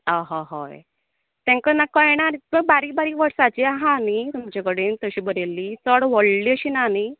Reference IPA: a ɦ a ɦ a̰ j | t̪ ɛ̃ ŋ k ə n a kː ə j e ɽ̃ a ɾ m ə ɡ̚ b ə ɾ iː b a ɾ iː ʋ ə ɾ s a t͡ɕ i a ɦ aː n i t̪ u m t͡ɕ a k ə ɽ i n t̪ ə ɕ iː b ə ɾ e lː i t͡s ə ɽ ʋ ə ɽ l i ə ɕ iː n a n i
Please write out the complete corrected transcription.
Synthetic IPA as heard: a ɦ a ɦ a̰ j | t̪ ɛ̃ ŋ k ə n a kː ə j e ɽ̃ a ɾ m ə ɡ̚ b a ɾ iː b a ɾ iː ʋ ə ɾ s a t͡ɕ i a ɦ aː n i t̪ u m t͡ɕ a k ə ɽ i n t̪ ə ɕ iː b ə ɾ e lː i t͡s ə ɽ ʋ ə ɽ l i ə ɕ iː n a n i

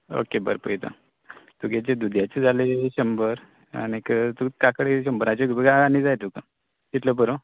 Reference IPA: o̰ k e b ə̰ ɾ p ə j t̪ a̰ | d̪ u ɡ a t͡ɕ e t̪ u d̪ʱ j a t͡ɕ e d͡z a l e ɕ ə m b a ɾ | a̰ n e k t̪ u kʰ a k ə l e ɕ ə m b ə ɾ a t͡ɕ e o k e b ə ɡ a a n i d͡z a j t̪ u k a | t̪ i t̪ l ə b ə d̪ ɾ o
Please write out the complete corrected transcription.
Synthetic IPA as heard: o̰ k e b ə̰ ɾ p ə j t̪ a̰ | t̪ u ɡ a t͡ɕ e d̪ u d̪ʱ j a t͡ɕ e d͡z a l e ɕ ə m b ə ɾ | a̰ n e k t̪ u k a k ə ɽ e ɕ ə m b ə ɾ a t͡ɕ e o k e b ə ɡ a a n i d͡z a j t̪ u k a | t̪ i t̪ l ə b ə ɾ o

